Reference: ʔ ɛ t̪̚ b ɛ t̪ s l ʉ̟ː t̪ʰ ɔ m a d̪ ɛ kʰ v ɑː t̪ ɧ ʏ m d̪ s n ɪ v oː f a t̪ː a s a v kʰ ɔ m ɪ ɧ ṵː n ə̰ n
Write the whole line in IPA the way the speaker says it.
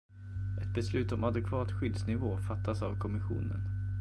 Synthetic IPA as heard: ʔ ɛ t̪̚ b ɛ s l ʉ̟ː t̪ ɔ m a d̪ ɛ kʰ v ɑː t̪ ɧ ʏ d̪ s n ɪ v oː f a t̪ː a s a v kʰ ɔ m ɪ ɧ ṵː n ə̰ n